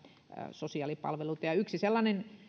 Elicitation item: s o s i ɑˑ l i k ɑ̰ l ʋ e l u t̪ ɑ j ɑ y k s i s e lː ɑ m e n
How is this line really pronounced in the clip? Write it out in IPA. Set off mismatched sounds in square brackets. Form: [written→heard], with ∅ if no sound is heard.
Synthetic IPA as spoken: s o s i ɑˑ l i [k→p] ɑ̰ l ʋ e l u t̪ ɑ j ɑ y k s i s e lː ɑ [m→n] e n